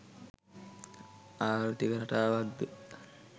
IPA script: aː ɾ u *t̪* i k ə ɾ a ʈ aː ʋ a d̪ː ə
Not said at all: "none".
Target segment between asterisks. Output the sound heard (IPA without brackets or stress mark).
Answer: t̪